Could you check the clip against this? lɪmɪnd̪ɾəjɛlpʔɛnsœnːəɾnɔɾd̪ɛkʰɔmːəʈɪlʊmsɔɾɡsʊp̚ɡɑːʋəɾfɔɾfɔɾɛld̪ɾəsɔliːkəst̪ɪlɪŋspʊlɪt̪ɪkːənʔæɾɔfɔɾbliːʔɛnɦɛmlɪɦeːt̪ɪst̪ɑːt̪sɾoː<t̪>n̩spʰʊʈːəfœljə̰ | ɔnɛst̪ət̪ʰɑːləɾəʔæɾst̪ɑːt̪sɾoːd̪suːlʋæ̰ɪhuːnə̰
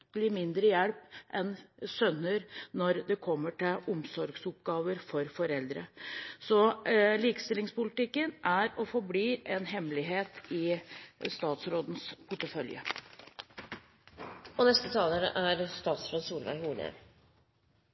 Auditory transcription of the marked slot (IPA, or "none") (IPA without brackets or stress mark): d̪